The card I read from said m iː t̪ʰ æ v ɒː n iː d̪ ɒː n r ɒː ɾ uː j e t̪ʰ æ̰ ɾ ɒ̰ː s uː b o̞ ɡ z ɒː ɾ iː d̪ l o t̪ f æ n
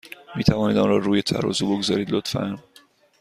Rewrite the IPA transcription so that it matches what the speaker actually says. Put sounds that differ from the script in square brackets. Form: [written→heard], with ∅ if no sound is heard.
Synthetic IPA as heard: m iː t̪ʰ æ v ɒː n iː d̪ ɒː n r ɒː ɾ uː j e t̪ʰ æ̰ ɾ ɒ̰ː [s→z] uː b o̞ ɡ z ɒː ɾ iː d̪ l o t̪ f æ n